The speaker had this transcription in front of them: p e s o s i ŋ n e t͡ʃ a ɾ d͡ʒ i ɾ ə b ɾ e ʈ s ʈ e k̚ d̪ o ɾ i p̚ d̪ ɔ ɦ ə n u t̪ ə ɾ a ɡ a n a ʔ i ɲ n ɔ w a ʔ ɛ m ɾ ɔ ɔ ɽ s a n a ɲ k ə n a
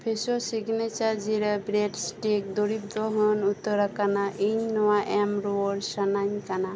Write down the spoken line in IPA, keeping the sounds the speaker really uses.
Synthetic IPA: pʰ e s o s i ɡ n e t͡ʃ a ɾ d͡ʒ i ɾ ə b ɾ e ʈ s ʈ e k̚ d̪ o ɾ i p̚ d̪ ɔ ɦ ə n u t̪ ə ɾ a k a n a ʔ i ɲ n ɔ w a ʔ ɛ m ɾ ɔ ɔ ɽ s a n a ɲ k a n a